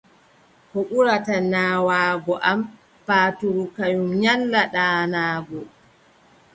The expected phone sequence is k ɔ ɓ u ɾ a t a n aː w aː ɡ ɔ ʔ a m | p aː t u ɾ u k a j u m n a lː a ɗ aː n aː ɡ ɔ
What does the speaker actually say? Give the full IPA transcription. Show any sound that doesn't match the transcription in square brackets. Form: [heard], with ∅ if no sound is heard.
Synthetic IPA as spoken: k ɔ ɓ u ɾ a t a n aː w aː ɡ ɔ ʔ a m | p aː t u ɾ u k a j u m [ɲ] a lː a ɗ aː n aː ɡ ɔ